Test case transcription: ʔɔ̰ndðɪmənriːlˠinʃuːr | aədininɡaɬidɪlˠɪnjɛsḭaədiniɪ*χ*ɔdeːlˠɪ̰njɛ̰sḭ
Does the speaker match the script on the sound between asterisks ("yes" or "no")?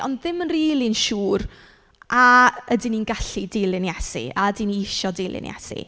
no